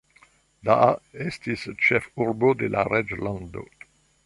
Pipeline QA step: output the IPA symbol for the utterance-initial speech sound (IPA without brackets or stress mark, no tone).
d